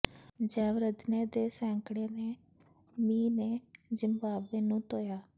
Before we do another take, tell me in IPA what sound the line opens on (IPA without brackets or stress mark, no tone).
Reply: d͡ʒ